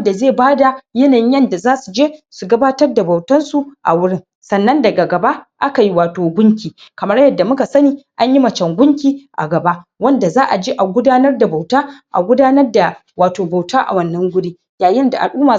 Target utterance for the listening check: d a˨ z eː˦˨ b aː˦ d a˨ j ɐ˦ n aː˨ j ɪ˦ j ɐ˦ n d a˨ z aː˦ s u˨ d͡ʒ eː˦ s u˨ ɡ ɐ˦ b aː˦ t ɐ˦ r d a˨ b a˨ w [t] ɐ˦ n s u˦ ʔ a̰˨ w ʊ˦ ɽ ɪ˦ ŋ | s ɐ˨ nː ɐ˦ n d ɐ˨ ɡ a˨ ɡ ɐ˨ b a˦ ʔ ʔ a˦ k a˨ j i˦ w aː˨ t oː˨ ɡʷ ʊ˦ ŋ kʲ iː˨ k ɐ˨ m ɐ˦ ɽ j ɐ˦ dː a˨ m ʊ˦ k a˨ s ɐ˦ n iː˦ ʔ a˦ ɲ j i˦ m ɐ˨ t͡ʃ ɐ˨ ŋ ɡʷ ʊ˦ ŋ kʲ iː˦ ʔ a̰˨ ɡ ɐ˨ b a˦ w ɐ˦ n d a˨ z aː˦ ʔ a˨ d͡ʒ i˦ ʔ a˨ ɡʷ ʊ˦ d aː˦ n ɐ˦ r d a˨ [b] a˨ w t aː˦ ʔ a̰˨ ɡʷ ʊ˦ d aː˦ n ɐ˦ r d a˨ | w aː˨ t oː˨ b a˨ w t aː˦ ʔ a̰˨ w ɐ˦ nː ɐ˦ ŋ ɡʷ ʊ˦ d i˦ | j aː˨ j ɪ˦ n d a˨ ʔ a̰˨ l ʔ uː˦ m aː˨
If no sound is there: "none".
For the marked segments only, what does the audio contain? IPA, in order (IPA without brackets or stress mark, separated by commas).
t, b